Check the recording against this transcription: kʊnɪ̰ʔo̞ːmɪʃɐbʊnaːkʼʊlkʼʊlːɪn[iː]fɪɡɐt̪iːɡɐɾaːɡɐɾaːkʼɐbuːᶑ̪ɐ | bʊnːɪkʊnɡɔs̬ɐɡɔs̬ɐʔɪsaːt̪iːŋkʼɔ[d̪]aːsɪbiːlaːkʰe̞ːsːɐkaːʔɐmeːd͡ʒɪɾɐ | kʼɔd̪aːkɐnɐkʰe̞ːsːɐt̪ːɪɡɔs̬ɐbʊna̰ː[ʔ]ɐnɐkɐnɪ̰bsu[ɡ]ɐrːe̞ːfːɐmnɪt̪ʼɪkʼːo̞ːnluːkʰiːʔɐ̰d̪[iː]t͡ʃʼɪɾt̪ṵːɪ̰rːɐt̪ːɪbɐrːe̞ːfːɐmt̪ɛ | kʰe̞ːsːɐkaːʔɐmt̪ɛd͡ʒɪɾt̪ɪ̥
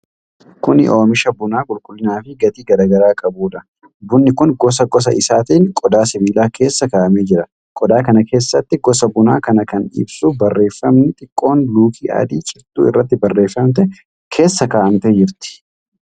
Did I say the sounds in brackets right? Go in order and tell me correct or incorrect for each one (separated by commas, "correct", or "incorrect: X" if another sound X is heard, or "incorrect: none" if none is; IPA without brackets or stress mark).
incorrect: aː, correct, incorrect: k, incorrect: b, correct